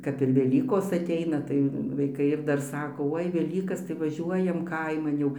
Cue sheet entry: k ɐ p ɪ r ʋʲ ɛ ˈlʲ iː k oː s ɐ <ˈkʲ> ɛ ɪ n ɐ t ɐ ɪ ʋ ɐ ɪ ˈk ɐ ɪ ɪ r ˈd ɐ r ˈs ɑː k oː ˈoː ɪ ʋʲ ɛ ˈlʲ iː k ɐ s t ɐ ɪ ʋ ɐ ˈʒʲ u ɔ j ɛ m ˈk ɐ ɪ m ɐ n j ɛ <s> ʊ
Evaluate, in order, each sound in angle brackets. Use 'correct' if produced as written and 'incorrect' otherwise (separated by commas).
incorrect, incorrect